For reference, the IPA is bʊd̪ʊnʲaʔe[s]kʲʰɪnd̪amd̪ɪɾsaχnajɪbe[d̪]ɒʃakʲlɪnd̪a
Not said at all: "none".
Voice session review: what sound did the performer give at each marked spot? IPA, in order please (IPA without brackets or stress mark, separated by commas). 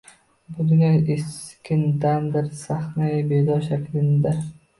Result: s, d̪